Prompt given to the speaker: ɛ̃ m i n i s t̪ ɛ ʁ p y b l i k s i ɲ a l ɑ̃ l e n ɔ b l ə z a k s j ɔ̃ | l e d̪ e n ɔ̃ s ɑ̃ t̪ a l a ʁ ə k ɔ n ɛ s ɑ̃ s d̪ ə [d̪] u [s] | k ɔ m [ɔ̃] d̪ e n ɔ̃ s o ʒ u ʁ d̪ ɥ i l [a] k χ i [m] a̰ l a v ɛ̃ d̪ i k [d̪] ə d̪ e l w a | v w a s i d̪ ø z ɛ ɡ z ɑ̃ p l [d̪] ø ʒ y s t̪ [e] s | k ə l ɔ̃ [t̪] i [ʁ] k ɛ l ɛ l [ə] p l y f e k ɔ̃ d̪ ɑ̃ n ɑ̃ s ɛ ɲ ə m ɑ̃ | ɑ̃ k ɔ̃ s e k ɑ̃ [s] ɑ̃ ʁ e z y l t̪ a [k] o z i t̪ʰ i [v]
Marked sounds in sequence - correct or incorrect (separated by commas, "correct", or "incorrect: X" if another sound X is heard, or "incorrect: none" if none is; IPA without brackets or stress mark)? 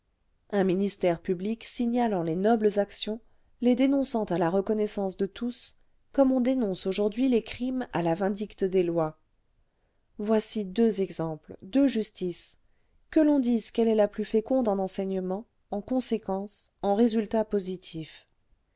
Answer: incorrect: t̪, correct, correct, incorrect: e, correct, incorrect: t̪, correct, incorrect: i, incorrect: d̪, incorrect: z, incorrect: a, correct, incorrect: p, incorrect: f